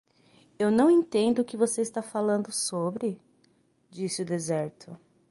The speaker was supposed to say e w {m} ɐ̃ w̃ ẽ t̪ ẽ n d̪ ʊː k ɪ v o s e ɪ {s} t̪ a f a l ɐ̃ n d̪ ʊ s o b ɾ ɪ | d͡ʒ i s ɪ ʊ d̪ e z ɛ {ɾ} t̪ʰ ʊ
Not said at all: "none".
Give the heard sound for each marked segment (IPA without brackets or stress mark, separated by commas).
n, s, ɾ